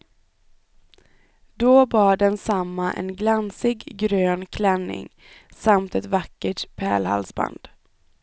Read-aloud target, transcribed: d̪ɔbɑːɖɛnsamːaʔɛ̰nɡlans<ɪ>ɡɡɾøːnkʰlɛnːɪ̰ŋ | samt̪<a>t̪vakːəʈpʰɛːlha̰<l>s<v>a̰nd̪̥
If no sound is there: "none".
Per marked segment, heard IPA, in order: ɪ, ɛ, l, b

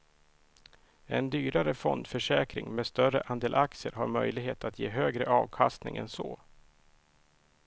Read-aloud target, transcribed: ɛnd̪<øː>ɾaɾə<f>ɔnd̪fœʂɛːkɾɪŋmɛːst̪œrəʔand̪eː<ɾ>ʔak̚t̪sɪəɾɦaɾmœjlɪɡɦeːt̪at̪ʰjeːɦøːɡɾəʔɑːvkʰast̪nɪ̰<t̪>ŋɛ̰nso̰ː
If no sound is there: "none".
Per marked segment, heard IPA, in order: yː, f, l, none

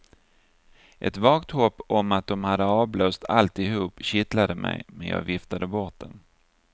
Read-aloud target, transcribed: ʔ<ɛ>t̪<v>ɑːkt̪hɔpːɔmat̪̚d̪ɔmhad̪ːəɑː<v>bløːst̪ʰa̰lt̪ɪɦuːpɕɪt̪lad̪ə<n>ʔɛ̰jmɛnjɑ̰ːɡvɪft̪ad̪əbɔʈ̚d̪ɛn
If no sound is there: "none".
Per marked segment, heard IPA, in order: ɛ, v, v, m

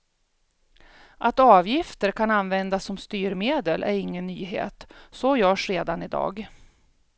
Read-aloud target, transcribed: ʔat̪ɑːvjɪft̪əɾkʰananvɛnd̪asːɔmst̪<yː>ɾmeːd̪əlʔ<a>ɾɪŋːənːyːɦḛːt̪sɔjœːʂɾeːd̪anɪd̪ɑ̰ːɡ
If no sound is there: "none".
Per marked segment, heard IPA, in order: yː, æ

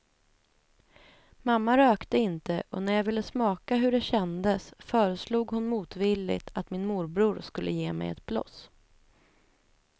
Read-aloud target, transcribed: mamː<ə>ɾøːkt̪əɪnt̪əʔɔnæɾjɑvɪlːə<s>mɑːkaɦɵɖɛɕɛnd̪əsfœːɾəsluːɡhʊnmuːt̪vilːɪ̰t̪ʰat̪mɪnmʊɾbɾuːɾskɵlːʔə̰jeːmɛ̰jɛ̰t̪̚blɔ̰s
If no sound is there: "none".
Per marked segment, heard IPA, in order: a, s

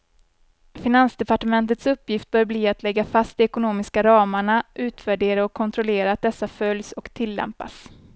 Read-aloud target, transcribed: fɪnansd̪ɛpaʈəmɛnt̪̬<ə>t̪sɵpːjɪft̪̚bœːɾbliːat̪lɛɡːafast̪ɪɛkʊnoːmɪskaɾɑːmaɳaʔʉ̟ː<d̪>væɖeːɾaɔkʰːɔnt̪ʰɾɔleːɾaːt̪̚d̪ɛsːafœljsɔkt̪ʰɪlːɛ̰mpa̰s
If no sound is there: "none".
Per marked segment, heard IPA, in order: ə, t̪

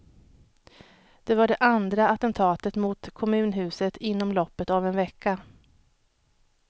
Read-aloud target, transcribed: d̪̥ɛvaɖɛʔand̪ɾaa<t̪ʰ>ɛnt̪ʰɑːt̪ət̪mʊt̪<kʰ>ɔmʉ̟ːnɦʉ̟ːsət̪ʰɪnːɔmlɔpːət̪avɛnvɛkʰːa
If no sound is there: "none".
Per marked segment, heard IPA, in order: t̪, kʰ

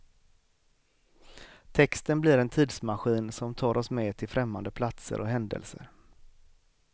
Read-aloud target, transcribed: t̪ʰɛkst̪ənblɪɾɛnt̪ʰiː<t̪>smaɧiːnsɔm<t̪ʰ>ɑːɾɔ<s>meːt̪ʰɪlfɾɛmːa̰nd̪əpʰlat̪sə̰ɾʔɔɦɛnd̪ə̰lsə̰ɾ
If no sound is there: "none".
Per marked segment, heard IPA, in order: d̪, t̪ʰ, s

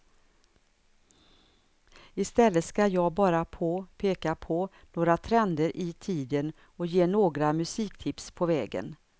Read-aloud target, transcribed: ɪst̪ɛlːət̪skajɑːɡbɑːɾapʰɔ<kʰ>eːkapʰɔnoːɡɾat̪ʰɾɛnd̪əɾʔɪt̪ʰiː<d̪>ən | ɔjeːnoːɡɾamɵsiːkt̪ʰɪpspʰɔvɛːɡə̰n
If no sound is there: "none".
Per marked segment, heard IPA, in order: pʰ, d̪

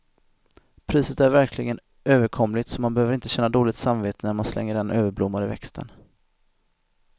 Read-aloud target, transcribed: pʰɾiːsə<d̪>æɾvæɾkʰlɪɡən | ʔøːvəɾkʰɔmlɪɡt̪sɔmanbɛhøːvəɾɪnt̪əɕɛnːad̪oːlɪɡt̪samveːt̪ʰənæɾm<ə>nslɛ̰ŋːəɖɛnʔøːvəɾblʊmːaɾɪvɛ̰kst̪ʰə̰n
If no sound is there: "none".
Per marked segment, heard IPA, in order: t̪, a

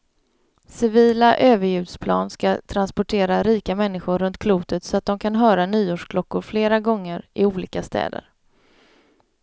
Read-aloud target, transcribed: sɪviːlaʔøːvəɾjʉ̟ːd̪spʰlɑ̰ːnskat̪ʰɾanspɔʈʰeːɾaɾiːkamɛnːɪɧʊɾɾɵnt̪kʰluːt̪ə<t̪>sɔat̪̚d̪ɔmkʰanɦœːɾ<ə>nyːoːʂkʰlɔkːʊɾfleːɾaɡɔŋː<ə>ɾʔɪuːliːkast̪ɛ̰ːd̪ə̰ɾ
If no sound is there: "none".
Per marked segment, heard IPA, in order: t̪, a, ə

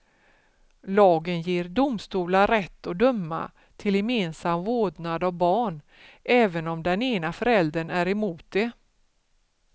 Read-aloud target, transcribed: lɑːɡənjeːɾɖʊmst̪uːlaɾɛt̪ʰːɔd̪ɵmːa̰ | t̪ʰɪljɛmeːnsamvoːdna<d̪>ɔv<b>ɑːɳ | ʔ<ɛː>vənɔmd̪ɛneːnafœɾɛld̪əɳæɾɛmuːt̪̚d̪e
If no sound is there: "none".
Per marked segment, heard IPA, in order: d̪, b, ɛː

